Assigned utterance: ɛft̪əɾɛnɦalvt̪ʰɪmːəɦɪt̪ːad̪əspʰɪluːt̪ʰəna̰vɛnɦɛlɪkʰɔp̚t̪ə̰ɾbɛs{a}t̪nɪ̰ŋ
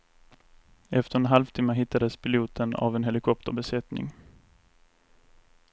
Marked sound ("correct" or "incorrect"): incorrect